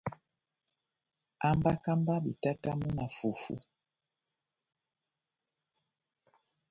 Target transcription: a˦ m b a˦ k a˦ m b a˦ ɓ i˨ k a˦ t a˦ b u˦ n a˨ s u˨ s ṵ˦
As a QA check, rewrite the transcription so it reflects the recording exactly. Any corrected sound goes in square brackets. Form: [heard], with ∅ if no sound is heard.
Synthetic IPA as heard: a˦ m b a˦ k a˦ m b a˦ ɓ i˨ [t] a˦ t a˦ [m] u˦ n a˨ [f] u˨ [f] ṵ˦